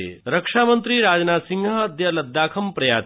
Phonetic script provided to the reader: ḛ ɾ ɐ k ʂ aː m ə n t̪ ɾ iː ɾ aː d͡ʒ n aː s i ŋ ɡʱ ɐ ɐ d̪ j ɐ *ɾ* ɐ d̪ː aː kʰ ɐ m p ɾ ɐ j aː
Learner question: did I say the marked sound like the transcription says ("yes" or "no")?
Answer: no